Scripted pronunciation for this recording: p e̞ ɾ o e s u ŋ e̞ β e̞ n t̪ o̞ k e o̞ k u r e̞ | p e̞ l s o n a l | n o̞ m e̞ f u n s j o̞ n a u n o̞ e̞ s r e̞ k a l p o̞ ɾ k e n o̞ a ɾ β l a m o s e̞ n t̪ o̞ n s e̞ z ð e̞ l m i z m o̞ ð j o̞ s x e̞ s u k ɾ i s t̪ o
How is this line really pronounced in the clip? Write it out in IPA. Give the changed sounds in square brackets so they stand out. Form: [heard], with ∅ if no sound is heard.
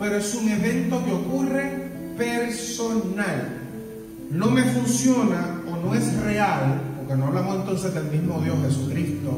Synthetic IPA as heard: p e̞ ɾ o e s u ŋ e̞ β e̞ n t̪ o̞ k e o̞ k u r e̞ | p e̞ [ɾ] s o n a l | n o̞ m e̞ f u n s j o̞ n a [o] n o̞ e̞ s r e̞ [∅] a l p o̞ ɾ k e n o̞ a [∅] β l a m o s e̞ n t̪ o̞ n s e̞ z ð e̞ l m i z m o̞ ð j o̞ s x e̞ s u k ɾ i s t̪ o